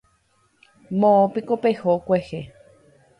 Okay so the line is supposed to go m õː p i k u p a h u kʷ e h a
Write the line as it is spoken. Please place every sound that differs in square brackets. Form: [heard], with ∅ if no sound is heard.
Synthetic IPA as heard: m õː p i k [o] p [e] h [o] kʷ e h [e]